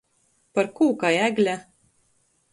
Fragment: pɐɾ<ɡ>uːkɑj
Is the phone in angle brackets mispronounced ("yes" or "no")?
yes